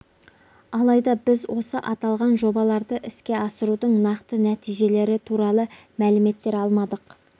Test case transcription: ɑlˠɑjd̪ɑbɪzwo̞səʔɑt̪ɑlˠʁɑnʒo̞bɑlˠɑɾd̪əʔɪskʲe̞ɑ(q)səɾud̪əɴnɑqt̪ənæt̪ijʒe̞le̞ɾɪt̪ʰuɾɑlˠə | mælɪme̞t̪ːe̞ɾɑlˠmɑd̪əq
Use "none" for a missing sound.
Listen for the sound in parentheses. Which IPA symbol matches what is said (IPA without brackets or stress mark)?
none